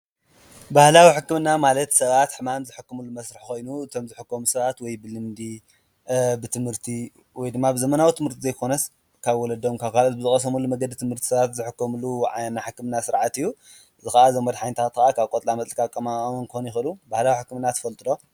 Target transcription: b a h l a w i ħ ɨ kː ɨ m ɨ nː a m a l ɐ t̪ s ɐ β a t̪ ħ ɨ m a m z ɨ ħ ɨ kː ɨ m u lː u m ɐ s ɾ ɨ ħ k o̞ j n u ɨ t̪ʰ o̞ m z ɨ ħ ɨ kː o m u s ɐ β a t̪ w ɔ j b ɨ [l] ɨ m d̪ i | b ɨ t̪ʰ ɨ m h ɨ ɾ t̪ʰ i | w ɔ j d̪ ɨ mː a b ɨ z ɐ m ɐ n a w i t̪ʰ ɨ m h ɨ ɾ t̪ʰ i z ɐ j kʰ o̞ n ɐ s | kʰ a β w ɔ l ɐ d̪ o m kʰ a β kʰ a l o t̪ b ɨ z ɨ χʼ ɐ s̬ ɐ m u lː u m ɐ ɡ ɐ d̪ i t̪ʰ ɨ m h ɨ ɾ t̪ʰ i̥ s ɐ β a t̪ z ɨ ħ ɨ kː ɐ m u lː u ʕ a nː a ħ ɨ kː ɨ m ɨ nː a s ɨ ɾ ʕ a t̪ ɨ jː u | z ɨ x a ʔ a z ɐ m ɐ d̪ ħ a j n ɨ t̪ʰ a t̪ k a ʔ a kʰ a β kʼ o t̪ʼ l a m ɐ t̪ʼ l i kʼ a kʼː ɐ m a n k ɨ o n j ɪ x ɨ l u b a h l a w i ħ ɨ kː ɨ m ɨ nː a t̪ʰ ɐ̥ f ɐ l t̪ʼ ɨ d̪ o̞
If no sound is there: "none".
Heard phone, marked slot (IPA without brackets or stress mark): l